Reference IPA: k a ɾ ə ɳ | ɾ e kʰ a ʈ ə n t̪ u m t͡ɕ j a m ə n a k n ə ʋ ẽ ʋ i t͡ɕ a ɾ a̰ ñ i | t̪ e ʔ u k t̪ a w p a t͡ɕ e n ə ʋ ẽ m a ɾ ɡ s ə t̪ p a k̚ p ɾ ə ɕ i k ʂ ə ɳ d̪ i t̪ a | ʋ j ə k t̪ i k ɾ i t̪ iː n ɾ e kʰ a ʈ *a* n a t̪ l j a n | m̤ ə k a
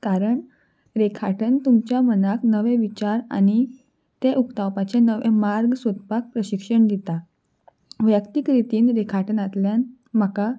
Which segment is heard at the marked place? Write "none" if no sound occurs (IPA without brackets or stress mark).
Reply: ə